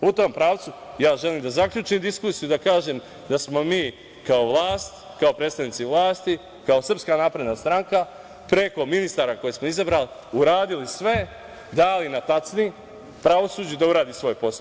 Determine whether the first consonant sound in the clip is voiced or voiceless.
voiceless